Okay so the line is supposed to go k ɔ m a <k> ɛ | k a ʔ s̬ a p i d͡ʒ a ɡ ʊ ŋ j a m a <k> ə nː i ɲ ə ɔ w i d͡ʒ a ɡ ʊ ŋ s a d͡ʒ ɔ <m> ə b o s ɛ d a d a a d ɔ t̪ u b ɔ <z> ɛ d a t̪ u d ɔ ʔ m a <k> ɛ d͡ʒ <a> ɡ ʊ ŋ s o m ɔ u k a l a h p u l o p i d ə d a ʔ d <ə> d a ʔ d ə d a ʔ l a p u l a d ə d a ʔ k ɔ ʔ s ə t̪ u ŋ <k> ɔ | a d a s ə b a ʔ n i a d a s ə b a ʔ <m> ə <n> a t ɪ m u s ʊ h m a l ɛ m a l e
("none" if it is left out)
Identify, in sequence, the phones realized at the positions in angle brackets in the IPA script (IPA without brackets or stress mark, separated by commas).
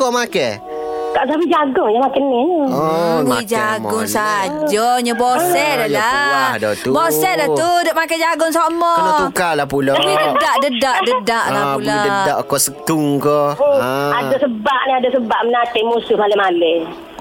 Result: k, k, ɲ, s, k, a, ə, k, m, n